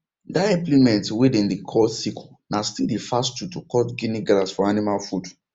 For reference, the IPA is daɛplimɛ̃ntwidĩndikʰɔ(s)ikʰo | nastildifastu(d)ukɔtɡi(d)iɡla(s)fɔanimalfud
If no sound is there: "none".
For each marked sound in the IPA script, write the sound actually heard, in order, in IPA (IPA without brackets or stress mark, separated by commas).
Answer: s, t, n, s